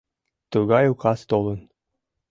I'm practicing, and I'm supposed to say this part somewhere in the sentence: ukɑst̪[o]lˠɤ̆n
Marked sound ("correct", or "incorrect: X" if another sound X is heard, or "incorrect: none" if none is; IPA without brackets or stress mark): correct